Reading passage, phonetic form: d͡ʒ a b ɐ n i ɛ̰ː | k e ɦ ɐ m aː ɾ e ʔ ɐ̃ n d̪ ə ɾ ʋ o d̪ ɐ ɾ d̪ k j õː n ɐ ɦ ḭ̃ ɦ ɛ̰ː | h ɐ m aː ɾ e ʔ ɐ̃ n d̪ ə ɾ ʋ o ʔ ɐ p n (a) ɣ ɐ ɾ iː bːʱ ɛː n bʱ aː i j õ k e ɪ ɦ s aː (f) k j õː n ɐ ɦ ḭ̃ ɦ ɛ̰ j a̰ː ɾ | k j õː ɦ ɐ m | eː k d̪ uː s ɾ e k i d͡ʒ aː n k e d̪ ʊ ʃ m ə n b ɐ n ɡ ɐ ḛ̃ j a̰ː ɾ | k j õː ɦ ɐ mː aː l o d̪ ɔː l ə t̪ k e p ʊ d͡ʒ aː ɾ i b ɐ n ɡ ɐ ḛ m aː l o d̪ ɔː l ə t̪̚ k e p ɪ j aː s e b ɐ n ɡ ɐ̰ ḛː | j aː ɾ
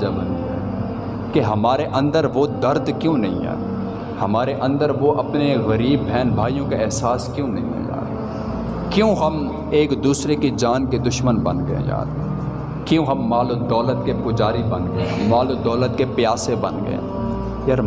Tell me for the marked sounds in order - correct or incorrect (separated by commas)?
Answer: incorrect, incorrect